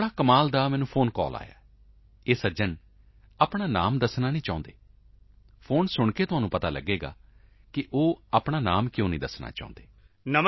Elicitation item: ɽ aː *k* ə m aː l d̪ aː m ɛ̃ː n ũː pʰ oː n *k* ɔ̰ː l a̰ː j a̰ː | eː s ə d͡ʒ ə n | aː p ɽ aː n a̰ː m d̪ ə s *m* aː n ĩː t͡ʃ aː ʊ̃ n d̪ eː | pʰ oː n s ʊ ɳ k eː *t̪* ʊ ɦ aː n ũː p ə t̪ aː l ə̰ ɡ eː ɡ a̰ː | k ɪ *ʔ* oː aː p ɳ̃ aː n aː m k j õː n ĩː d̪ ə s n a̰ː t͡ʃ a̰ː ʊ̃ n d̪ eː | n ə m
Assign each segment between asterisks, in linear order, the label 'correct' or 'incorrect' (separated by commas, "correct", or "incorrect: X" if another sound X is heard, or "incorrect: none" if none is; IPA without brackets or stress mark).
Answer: correct, correct, incorrect: n, correct, correct